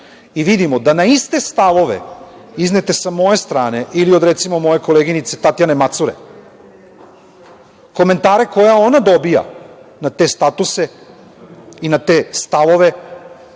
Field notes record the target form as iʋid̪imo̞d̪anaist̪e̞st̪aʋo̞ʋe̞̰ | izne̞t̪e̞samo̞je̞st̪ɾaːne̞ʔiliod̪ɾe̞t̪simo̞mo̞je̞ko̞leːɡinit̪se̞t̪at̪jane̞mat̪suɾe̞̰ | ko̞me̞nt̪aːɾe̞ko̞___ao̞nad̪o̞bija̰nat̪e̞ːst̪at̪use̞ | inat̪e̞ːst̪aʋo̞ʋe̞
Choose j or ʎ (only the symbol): j